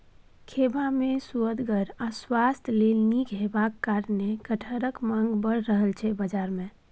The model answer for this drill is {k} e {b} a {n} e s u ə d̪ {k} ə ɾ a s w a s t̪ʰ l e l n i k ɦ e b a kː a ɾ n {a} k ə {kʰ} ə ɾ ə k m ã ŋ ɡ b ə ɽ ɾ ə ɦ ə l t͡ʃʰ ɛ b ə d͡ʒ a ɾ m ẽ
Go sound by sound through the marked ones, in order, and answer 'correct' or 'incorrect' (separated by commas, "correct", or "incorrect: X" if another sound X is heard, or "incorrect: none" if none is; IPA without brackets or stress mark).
incorrect: kʰ, correct, incorrect: m, incorrect: ɡ, incorrect: e, incorrect: ʈʰ